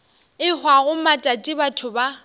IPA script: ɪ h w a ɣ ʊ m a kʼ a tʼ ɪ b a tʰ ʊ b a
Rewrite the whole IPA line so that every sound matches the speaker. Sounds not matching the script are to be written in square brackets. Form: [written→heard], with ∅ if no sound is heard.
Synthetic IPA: ɪ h w a ɣ ʊ m a [kʼ→tʼ] a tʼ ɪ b a tʰ ʊ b a

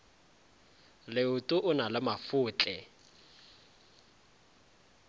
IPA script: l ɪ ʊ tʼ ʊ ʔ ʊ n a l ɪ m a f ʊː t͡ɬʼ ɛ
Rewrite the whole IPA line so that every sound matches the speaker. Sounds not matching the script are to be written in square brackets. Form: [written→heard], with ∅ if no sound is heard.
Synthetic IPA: l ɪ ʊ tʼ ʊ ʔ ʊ n a l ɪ m a f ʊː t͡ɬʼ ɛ

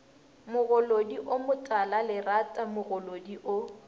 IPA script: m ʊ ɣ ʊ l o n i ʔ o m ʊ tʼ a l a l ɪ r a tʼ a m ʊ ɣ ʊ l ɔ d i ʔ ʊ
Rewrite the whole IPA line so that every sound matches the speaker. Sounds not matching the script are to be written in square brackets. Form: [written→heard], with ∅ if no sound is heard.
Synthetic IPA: m ʊ ɣ ʊ l o [n→d] i ʔ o m ʊ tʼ a l a l ɪ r a tʼ a m ʊ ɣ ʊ l [ɔ→o] d i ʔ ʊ

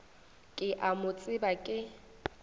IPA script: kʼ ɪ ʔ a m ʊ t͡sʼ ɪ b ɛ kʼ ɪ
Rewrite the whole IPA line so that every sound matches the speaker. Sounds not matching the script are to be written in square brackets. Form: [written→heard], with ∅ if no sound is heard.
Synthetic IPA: kʼ ɪ ʔ a m ʊ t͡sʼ ɪ b [ɛ→a] kʼ ɪ

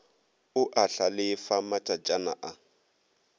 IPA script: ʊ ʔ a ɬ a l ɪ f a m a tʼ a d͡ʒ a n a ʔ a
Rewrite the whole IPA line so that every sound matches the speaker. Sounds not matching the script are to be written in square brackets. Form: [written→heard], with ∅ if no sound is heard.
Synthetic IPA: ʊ ʔ a ɬ a l ɪ f a m a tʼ a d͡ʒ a n a ʔ a

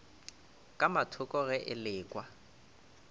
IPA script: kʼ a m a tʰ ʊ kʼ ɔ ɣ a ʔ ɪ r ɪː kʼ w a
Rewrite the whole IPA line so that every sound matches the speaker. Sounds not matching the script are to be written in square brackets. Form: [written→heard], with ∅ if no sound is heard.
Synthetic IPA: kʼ a m a tʰ ʊ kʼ ɔ ɣ [a→ɛ] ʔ ɪ [r→l] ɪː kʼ w a

